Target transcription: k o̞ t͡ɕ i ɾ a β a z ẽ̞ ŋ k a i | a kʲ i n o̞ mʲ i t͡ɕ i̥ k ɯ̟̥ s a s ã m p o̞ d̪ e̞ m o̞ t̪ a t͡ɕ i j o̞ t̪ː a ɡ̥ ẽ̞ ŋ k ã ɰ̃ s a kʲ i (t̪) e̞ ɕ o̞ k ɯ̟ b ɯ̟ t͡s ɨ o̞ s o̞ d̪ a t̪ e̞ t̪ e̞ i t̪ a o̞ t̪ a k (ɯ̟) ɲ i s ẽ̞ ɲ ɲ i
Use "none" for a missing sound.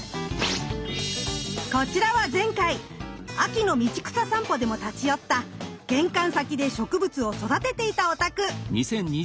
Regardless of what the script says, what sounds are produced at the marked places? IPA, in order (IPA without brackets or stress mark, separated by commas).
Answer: d̪, ɯ̟